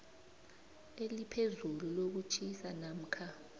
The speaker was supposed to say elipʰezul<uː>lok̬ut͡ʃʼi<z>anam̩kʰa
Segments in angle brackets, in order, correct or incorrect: incorrect, incorrect

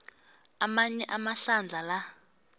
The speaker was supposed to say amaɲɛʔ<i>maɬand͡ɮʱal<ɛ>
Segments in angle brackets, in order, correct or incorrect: incorrect, incorrect

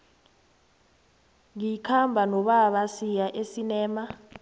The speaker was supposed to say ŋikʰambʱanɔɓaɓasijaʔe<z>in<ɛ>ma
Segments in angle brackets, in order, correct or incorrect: incorrect, incorrect

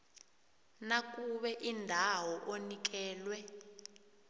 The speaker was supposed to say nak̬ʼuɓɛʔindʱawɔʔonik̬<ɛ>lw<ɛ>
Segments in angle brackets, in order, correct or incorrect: incorrect, correct

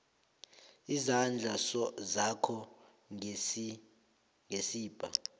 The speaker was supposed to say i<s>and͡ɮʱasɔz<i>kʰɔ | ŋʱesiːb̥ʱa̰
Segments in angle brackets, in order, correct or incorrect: incorrect, incorrect

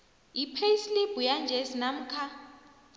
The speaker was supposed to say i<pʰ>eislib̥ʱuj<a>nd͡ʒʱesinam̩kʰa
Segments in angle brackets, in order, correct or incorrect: correct, correct

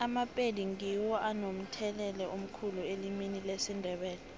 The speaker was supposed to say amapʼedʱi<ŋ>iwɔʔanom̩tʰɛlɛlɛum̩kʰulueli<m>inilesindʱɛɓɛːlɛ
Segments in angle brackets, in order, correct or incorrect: correct, correct

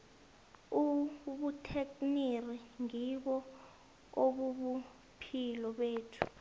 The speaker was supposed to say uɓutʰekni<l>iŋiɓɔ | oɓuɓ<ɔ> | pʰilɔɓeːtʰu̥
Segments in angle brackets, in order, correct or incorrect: incorrect, incorrect

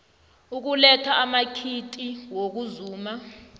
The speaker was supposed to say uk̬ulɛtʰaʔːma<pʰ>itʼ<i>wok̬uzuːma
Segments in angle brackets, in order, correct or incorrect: incorrect, correct

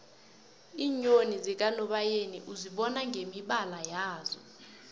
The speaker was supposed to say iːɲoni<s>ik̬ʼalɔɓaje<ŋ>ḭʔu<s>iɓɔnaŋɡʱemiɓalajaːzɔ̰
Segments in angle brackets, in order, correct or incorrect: incorrect, incorrect, incorrect

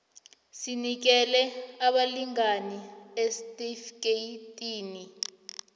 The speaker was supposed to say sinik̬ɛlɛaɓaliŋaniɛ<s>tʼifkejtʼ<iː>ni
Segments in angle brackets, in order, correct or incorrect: correct, correct

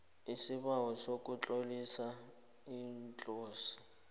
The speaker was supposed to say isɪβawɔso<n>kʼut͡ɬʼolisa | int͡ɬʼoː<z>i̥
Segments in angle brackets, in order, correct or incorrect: incorrect, incorrect

